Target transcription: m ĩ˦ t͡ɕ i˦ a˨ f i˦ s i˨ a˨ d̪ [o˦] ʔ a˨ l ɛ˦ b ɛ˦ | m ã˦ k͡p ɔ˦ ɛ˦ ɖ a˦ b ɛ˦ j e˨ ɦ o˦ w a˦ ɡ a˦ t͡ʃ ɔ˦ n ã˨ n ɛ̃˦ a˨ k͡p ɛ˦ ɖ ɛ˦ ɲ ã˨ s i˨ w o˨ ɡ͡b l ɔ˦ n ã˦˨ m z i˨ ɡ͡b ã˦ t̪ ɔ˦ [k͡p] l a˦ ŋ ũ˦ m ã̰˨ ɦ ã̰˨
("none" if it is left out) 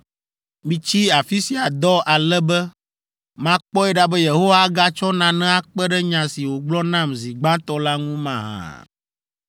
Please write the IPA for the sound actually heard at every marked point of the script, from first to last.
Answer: ɔ˦, none

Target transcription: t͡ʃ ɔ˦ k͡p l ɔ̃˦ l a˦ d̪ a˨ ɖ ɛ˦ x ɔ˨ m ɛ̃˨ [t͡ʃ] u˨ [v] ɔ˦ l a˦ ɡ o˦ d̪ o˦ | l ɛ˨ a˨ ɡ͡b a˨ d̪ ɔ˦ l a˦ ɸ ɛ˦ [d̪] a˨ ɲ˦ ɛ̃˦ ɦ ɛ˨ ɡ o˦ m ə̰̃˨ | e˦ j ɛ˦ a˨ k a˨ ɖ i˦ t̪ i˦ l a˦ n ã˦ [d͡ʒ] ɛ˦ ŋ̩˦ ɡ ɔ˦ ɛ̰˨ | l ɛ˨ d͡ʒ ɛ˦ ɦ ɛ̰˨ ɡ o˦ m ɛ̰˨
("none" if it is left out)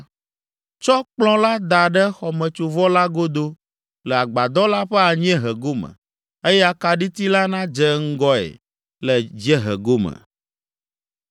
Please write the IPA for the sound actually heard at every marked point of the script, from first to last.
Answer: t͡ʃ, v, none, d͡ʒ

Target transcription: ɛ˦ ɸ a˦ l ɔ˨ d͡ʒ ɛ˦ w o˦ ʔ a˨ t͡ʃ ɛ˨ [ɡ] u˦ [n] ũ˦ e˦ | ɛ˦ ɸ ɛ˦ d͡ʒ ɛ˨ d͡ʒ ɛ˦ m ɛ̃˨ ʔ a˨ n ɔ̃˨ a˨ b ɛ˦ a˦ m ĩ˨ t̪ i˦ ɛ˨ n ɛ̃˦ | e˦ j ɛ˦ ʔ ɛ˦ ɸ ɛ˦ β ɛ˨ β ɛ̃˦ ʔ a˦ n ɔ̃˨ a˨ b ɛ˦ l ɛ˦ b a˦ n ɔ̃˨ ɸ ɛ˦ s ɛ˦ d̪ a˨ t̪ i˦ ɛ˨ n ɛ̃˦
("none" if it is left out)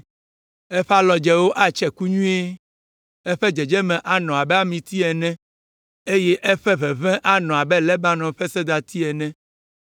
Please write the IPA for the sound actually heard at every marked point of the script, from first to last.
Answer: k, ɲ

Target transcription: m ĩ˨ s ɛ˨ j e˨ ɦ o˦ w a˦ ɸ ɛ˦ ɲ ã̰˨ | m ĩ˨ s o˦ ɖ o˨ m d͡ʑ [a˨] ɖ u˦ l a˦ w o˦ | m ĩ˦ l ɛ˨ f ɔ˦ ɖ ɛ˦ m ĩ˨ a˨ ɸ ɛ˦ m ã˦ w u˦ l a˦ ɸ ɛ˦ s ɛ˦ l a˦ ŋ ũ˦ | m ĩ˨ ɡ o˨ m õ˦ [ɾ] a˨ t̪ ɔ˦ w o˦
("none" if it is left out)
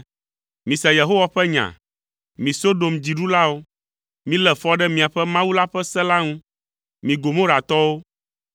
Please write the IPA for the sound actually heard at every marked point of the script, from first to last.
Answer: i˨, ɾ

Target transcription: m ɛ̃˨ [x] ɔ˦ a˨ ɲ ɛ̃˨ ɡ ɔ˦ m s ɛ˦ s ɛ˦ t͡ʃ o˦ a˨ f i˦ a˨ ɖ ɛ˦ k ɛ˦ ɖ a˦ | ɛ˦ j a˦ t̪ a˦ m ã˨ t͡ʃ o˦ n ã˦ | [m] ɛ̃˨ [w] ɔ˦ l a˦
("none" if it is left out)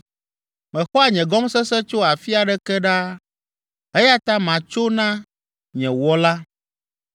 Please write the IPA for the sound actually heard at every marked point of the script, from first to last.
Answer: x, ɲ, w

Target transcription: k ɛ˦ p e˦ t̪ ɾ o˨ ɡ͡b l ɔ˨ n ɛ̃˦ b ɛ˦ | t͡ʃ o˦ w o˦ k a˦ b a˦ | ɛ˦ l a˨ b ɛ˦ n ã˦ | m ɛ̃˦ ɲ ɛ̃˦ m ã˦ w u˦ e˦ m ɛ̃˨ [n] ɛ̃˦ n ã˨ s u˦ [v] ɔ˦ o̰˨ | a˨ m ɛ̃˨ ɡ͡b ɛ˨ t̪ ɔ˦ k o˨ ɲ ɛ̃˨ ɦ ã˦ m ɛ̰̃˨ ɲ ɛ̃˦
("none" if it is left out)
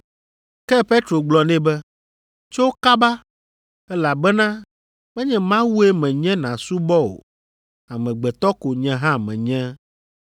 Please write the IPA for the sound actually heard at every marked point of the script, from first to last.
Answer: ɲ, b

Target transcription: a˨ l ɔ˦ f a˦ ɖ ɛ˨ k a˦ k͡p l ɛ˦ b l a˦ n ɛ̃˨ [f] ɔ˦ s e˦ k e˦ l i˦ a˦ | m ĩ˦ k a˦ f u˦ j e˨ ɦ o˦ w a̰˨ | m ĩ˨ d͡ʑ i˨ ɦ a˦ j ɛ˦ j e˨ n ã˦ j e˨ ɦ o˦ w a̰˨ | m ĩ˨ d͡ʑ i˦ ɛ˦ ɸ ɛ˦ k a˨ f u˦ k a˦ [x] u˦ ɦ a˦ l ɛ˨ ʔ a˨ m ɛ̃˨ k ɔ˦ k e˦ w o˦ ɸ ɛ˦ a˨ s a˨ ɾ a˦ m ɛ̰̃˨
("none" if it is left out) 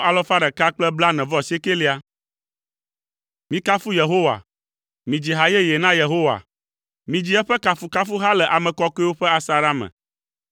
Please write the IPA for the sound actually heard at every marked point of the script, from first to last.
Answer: v, f

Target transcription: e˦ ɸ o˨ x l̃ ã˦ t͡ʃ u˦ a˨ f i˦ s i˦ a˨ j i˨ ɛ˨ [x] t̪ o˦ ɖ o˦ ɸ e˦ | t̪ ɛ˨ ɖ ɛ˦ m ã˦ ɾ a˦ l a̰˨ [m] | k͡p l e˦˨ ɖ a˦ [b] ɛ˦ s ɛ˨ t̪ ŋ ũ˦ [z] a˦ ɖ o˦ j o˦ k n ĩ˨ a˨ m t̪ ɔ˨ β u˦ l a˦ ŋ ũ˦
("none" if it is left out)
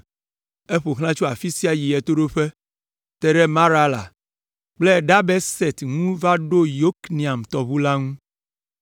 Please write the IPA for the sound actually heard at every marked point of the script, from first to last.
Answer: none, none, b, v

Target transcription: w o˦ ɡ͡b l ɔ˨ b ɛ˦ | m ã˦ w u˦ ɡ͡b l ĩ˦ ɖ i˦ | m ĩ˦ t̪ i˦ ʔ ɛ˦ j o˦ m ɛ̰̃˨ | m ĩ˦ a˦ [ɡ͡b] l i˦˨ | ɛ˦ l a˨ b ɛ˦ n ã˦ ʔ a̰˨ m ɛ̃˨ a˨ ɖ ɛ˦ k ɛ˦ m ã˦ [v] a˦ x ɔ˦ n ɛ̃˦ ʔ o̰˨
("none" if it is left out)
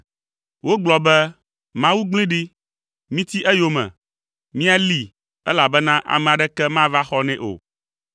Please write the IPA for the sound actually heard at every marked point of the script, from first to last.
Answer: none, v

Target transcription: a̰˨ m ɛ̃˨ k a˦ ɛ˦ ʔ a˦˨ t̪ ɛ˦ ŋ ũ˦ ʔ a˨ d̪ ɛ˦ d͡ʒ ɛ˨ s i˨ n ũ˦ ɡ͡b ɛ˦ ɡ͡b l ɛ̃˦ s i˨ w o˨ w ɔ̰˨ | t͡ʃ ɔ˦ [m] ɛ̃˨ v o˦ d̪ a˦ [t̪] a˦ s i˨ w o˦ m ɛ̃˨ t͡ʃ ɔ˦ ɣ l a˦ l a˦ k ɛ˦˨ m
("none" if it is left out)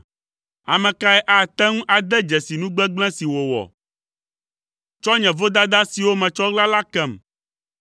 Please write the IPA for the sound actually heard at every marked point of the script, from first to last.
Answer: ɲ, d̪

